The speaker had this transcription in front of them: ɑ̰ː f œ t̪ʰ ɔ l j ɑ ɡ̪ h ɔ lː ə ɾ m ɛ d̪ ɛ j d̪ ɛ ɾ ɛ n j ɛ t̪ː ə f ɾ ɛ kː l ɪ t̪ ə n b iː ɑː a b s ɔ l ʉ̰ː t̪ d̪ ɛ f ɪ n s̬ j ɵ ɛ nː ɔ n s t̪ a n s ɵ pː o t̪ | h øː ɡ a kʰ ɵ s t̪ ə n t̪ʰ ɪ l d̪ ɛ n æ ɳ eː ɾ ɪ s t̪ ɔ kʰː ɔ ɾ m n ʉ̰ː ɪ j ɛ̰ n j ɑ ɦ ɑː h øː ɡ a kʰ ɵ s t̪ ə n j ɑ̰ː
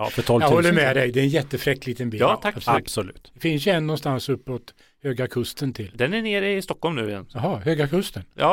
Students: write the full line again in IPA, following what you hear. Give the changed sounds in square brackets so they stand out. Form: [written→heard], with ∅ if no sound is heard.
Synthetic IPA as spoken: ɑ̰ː f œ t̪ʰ ɔ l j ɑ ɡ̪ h ɔ lː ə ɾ m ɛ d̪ ɛ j d̪ ɛ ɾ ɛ n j ɛ t̪ː ə f ɾ ɛ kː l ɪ t̪ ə n b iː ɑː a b s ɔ l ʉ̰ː t̪ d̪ ɛ f ɪ n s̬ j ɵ ɛ nː ɔ n s t̪ a n s ɵ pː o t̪ | h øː ɡ a kʰ ɵ s t̪ ə n t̪ʰ ɪ l d̪ ɛ n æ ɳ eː ɾ ɪ s t̪ ɔ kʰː ɔ [ɾ→l] m n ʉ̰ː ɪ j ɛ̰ n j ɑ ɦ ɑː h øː ɡ a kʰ ɵ s t̪ ə n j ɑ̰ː